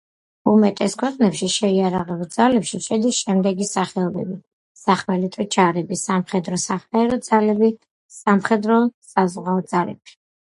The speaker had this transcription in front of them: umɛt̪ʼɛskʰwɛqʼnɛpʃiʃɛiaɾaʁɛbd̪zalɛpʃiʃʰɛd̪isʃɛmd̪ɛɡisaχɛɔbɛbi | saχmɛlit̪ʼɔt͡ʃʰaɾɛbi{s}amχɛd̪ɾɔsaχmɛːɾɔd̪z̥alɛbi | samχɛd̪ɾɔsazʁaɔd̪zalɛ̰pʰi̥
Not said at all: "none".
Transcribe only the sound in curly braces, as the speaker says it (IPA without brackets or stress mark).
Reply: s